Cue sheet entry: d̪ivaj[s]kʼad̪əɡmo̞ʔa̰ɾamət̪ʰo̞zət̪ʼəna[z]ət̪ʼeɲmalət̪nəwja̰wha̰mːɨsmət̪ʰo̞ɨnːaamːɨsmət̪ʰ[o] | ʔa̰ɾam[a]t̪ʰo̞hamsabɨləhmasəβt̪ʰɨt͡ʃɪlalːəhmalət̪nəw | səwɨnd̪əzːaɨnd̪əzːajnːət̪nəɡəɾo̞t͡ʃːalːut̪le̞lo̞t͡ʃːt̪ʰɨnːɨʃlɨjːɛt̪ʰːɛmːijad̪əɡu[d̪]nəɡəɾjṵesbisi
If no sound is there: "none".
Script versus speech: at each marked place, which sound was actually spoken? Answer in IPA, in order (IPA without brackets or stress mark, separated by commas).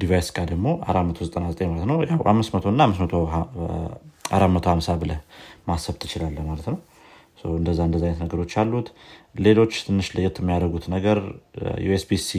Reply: s, z, o, ə, t̪